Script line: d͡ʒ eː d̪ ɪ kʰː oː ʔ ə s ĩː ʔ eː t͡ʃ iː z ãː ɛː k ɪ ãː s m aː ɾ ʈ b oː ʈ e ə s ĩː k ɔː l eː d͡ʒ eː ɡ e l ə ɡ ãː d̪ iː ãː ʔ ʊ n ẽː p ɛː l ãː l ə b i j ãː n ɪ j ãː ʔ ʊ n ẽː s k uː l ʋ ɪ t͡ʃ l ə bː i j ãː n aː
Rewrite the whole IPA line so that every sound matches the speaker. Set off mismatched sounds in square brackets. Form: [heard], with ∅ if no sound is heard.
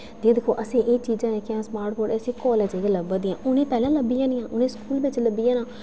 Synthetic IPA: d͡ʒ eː d̪ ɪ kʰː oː ʔ ə s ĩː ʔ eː t͡ʃ iː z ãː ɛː k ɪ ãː s m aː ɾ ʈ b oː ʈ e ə s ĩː k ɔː l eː d͡ʒ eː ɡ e l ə [b] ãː d̪ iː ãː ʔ ʊ n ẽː p ɛː l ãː l ə b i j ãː n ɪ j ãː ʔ ʊ n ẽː s k uː l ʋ ɪ t͡ʃ l ə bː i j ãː n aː